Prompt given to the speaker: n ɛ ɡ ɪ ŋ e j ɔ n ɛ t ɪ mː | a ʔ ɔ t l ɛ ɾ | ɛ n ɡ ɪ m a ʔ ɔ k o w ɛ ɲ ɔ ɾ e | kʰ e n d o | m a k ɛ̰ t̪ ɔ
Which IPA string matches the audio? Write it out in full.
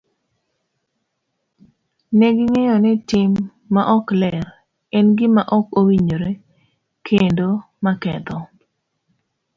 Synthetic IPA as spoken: n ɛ ɡ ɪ ŋ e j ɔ n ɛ t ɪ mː | a ʔ ɔ k l ɛ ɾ | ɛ n ɡ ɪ m a ʔ ɔ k o w i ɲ o ɾ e | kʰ e n d o | m a k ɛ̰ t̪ ɔ